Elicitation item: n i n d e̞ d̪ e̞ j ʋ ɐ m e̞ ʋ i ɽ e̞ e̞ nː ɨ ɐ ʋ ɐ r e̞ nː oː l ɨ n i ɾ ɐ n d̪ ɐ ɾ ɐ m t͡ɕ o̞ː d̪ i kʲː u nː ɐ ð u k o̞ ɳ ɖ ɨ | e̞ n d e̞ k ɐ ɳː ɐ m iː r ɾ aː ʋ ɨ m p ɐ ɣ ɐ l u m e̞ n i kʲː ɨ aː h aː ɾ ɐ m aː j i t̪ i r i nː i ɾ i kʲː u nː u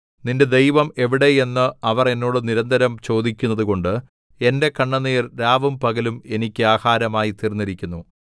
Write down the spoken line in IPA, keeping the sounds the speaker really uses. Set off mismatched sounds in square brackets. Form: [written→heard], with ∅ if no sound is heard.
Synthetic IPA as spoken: n i n d e̞ d̪ e̞ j ʋ ɐ m e̞ ʋ i ɽ e̞ e̞ nː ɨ ɐ ʋ ɐ r e̞ nː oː [l→ɽ] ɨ n i ɾ ɐ n d̪ ɐ ɾ ɐ m t͡ɕ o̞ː d̪ i kʲː u nː ɐ ð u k o̞ ɳ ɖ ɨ | e̞ n d e̞ k ɐ ɳː ɐ [m→n] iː r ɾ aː ʋ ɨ m p ɐ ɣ ɐ l u m e̞ n i kʲː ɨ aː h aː ɾ ɐ m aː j i t̪ i r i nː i ɾ i kʲː u nː u